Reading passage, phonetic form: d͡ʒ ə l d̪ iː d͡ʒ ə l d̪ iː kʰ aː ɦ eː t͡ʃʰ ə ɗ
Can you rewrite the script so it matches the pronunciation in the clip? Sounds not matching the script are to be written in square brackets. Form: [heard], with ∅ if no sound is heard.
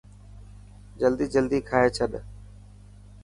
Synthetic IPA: d͡ʒ ə l d̪ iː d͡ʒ ə l d̪ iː kʰ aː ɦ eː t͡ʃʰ ə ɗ